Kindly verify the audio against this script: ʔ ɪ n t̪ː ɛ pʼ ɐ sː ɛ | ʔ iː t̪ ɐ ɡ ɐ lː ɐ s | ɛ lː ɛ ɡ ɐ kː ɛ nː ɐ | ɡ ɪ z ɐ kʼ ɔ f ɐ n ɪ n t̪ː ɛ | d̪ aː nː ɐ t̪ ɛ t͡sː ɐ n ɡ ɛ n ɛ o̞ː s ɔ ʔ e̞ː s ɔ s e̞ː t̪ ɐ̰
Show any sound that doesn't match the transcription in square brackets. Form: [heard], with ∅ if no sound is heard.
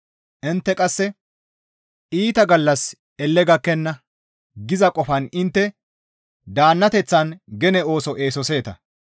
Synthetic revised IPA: ʔ ɪ n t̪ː ɛ [kʼ] ɐ sː ɛ | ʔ iː t̪ ɐ ɡ ɐ lː ɐ s | ɛ lː ɛ ɡ ɐ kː ɛ nː ɐ | ɡ ɪ z ɐ kʼ ɔ f ɐ n ɪ n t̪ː ɛ | d̪ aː nː ɐ t̪ ɛ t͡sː ɐ n ɡ ɛ n ɛ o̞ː s ɔ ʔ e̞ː s ɔ s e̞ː t̪ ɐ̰